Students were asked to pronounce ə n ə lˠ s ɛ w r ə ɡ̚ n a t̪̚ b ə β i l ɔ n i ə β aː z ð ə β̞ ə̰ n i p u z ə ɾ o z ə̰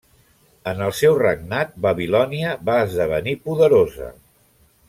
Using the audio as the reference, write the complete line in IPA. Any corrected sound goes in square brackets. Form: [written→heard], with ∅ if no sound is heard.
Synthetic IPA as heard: ə n ə lˠ s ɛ w r ə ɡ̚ n a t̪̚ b ə β i l ɔ n i ə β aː z ð ə β̞ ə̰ n i p u [z→ð] ə ɾ o z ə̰